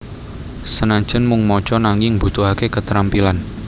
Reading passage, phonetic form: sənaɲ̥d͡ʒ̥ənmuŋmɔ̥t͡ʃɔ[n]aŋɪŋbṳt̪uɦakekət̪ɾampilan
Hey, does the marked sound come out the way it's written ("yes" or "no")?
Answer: yes